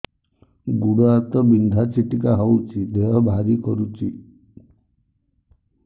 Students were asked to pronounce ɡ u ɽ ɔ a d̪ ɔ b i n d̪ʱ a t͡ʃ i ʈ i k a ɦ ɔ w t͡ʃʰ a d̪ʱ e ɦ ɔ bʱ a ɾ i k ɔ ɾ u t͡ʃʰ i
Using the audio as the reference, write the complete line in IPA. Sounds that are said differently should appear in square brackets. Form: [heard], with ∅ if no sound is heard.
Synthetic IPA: ɡ u ɽ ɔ a [t̪] ɔ b i n d̪ʱ a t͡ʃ i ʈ i k a ɦ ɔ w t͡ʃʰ [i] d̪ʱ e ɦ ɔ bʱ a ɾ i k ɔ ɾ u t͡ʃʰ i